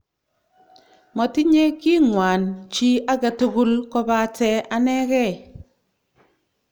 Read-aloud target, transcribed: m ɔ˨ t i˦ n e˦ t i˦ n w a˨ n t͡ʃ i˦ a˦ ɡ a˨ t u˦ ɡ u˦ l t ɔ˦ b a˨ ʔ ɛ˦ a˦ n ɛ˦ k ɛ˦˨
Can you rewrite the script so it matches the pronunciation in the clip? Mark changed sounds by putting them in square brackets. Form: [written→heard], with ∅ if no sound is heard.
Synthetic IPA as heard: m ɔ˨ t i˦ [n→ɲ] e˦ [t→k] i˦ [n→ŋ] w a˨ n t͡ʃ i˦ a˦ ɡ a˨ t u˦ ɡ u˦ l [t→k] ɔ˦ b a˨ [ʔ→t] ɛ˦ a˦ n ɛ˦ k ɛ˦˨